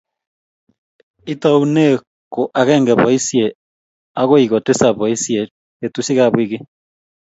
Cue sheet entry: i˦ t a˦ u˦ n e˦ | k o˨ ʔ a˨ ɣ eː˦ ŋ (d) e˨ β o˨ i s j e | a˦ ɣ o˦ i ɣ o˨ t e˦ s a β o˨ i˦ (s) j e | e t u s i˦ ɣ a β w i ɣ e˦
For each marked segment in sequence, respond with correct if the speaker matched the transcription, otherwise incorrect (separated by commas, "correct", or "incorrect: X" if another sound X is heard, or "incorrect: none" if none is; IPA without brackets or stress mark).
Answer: incorrect: ɡ, correct